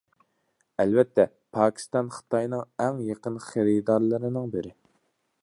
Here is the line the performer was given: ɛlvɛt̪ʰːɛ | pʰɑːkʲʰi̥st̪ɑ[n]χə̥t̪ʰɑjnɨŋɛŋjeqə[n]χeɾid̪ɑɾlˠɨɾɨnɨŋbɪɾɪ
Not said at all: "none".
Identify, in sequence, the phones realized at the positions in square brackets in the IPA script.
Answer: n, n

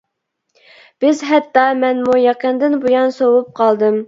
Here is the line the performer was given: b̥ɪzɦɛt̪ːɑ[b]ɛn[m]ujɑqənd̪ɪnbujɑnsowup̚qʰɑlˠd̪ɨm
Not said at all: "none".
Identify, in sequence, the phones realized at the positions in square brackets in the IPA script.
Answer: m, m

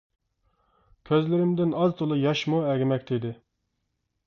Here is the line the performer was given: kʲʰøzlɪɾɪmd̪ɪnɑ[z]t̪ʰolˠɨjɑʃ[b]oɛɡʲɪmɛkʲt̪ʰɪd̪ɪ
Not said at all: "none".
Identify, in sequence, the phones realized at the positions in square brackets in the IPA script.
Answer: z, m

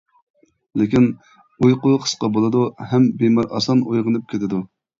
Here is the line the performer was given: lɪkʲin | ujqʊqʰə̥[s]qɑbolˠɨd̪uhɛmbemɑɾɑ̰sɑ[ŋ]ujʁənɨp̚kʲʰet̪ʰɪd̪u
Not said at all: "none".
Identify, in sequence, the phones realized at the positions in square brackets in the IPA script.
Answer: s, n

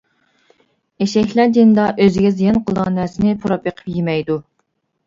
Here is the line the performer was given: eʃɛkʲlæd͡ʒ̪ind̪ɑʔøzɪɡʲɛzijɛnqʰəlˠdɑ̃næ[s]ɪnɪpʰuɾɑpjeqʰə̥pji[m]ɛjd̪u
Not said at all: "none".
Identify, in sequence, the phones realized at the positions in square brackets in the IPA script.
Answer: s, m

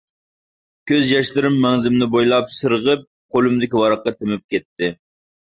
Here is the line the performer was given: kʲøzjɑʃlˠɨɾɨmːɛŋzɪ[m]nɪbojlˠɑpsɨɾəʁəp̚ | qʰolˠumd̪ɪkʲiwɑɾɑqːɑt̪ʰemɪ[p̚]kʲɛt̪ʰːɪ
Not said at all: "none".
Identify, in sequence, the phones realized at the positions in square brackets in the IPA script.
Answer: m, p̚

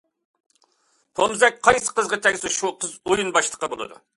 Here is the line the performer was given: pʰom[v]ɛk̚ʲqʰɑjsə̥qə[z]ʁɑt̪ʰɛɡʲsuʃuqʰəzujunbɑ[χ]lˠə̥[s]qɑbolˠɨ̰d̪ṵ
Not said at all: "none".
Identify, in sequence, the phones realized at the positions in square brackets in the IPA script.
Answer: z, z, ʃ, none

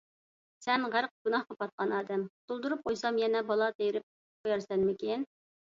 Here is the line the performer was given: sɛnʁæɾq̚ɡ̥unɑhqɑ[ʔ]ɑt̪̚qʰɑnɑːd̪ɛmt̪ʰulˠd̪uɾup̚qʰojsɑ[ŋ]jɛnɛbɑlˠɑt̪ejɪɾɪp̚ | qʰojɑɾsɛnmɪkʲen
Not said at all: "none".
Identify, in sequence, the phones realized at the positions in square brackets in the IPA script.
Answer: p, m

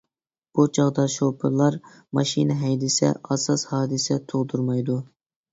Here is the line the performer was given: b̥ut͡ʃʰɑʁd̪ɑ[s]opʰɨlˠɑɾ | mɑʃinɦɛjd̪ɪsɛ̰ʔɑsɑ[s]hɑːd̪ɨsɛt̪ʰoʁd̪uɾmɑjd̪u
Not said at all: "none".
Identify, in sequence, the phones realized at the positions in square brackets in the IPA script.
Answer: ʃ, s

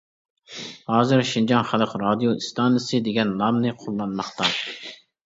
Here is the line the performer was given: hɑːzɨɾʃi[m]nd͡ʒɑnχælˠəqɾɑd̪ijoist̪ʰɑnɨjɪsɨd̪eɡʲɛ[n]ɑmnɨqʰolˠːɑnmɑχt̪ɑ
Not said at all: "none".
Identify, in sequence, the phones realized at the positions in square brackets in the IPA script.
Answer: none, nː

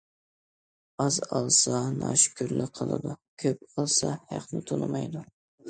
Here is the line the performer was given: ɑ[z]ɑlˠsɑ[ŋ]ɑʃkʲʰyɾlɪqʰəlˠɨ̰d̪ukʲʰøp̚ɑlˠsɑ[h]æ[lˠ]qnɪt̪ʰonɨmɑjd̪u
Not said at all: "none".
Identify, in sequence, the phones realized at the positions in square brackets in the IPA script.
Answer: z, n, h, none

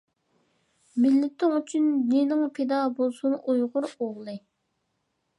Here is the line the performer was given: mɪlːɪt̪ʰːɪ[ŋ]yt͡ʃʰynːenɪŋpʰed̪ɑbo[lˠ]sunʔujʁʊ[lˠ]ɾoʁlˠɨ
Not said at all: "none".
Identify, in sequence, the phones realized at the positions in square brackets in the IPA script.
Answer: ŋ, lˠ, none

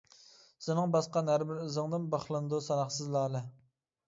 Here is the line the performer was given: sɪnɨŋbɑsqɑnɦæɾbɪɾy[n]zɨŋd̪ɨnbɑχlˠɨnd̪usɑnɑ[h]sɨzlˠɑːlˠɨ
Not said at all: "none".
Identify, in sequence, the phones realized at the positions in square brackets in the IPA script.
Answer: none, χ

